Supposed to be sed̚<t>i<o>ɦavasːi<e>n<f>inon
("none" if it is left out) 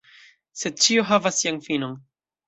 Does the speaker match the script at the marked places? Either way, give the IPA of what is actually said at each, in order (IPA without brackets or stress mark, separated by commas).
t͡ʃ, o, a, f